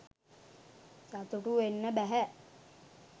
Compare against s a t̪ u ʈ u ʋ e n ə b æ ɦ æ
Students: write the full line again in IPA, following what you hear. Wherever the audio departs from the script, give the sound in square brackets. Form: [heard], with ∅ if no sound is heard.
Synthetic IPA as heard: s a t̪ u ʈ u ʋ e [nː] ə b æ ɦ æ